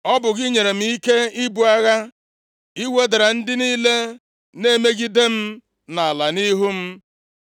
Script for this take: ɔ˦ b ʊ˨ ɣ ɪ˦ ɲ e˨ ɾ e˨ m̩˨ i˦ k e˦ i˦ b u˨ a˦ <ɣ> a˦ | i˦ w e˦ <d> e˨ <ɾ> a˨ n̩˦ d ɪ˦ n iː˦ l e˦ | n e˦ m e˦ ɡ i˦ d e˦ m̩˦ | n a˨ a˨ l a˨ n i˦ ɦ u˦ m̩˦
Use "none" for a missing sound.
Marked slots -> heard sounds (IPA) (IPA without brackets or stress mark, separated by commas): ɣ, d, ɾ